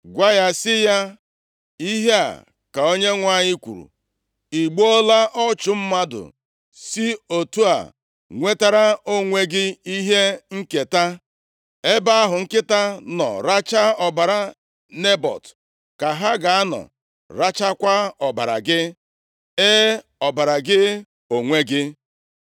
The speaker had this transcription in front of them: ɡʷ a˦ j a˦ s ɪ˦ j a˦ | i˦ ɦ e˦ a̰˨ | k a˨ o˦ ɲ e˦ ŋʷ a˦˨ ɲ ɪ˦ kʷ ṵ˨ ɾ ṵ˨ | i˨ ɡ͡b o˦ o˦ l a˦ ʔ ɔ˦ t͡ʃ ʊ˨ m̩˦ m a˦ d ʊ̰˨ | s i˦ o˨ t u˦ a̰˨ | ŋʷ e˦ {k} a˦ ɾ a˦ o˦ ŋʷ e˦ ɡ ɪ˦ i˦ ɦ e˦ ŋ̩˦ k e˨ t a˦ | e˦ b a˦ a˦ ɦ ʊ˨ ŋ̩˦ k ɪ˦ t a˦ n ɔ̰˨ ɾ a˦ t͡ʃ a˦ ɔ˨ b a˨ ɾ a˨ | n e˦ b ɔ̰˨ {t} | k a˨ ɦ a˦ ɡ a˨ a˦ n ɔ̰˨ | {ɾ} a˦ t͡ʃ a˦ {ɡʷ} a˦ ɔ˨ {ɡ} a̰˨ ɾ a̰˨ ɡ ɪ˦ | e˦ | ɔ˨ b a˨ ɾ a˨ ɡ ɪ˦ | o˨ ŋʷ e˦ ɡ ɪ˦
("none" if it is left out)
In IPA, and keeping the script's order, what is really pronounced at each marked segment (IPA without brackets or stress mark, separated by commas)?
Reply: t, t, ɾ, kʷ, b